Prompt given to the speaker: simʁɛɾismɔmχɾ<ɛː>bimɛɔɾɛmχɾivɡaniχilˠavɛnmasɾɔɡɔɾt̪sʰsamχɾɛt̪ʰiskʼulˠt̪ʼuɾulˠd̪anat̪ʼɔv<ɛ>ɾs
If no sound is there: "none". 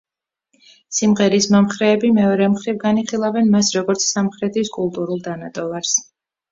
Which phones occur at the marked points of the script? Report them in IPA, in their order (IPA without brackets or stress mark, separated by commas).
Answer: ɛː, a